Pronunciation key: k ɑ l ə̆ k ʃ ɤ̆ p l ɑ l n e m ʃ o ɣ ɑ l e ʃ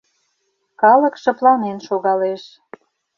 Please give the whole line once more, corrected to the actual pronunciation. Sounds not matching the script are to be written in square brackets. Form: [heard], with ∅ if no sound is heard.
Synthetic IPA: k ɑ l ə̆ k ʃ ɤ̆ p l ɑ [∅] n e [n] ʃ o ɣ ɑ l e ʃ